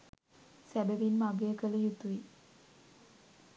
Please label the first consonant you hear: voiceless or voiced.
voiceless